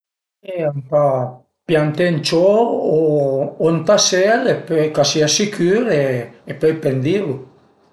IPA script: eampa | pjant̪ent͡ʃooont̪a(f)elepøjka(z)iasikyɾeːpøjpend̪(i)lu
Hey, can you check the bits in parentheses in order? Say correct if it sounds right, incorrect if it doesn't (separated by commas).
incorrect, incorrect, correct